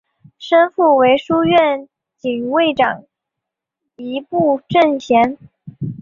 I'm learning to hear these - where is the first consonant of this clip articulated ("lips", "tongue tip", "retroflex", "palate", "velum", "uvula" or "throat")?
retroflex